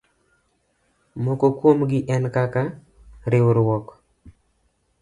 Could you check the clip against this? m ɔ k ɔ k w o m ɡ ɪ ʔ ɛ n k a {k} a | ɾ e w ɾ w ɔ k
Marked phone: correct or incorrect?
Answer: correct